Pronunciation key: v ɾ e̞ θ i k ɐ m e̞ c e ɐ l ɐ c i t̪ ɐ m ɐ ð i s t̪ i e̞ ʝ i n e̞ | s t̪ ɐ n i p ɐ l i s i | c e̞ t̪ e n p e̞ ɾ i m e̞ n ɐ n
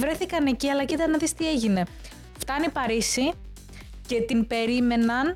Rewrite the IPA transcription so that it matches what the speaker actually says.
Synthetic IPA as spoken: v ɾ e̞ θ i k ɐ n e̞ c i ɐ l ɐ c i t̪ ɐ n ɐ ð i s t̪ i e̞ ʝ i n e̞ | f t̪ ɐ n i p ɐ ɾ i s i | c e̞ t̪ i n p e̞ ɾ i m e̞ n ɐ n